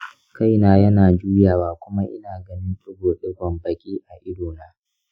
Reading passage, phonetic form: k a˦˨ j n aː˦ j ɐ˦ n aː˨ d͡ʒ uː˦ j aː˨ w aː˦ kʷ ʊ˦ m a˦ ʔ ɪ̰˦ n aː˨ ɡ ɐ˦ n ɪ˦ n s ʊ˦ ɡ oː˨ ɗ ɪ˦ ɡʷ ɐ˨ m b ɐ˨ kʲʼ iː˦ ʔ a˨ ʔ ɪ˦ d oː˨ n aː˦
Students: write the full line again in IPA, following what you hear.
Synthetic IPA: k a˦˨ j n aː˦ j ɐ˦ n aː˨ d͡ʒ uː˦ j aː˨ w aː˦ kʷ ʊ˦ m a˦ ʔ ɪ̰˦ n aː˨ ɡ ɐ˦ n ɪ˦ n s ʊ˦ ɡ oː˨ ɗ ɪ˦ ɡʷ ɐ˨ m b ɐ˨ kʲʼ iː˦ ʔ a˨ ʔ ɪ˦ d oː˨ n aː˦